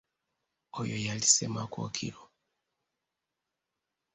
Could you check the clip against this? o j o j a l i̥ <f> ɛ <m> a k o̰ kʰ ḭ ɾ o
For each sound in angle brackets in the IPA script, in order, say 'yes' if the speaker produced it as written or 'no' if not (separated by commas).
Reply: no, yes